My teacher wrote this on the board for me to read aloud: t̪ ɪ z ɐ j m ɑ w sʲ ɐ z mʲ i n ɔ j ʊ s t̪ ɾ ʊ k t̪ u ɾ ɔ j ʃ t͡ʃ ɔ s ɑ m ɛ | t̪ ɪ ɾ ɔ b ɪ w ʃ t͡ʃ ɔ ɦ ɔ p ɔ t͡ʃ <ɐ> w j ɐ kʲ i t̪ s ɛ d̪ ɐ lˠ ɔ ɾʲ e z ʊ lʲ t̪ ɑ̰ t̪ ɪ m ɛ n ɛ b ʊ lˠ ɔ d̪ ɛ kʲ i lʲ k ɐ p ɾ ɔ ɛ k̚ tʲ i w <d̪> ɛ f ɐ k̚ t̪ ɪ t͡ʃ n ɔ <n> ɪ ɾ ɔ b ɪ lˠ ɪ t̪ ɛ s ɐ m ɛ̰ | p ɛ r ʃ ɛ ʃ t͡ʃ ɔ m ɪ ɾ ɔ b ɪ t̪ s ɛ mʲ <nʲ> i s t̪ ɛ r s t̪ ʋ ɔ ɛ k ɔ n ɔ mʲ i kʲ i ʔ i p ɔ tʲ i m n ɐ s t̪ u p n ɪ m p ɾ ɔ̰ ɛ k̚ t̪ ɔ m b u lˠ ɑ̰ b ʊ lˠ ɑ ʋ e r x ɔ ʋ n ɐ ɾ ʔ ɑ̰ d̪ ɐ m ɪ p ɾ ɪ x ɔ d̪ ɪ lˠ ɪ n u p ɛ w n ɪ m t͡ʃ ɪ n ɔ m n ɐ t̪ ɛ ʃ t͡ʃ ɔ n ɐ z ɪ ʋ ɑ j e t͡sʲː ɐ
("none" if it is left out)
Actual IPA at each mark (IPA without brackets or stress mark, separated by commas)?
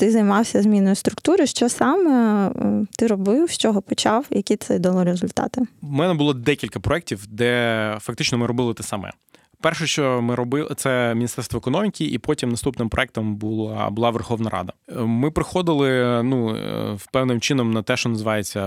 ɑ, d̪, m, nʲ